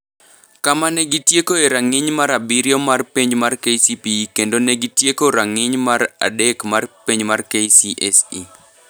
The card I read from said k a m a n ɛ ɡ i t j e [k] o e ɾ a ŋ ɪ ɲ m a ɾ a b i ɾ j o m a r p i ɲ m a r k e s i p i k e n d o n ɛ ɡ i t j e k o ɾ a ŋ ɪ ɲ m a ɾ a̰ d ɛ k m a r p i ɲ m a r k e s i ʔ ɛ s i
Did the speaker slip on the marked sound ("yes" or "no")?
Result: no